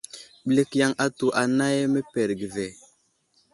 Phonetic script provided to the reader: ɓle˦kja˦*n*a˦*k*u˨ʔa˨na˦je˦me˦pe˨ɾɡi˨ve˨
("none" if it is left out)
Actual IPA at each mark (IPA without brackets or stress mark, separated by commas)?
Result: ŋ, t